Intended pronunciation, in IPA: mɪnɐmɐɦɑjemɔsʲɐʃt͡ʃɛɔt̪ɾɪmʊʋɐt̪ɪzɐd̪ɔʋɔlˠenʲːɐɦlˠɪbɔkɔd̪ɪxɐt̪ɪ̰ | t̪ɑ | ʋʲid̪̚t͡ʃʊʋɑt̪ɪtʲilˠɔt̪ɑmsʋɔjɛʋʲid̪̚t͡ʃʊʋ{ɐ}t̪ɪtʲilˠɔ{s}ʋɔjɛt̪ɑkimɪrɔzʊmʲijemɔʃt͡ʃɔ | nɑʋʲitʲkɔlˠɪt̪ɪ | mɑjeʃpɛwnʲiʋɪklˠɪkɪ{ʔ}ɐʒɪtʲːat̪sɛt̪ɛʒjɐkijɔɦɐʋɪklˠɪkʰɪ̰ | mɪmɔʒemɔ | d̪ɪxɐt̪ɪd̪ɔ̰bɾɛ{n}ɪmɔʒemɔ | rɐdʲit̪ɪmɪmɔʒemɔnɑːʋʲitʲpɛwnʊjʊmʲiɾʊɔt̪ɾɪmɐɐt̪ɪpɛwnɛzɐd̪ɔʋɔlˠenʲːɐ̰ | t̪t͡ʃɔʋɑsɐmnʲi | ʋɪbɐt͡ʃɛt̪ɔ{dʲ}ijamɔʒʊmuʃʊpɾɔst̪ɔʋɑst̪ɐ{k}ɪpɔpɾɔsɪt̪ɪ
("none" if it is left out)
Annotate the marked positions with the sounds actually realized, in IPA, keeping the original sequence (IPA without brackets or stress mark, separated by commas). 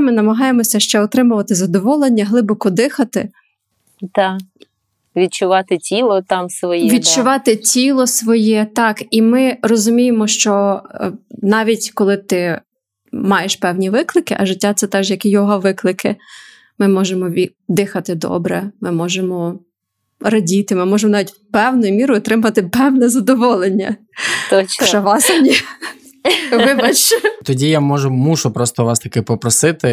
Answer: ɑ, s, ʔ, m, dʲ, k